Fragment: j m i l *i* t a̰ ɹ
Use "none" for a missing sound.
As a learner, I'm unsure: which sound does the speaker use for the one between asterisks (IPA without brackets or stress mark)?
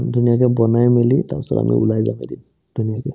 i